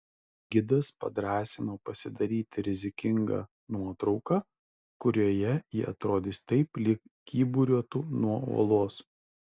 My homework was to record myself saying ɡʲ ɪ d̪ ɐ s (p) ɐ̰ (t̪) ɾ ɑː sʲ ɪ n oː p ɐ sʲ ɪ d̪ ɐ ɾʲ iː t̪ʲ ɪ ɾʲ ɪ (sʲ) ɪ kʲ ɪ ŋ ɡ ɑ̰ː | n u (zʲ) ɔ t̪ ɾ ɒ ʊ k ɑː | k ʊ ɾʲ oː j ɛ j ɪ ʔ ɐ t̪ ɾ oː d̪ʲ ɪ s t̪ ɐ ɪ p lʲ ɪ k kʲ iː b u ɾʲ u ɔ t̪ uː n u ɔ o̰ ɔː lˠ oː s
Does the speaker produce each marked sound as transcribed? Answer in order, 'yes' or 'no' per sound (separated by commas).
yes, no, no, no